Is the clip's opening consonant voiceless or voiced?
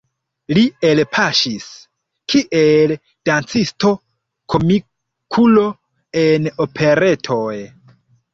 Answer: voiced